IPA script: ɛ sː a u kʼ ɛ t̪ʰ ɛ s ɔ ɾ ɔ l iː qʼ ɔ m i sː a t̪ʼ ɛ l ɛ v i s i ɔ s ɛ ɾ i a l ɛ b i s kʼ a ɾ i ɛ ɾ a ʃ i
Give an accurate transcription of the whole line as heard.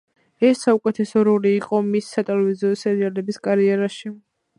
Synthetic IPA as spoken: ɛ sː a u kʼ ɛ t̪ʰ ɛ s ɔ ɾ ɔ l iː qʼ ɔ m i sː a t̪ʼ ɛ l ɛ v i z i ɔ s ɛ ɾ i a l ɛ b i s kʼ a ɾ i ɛ ɾ a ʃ i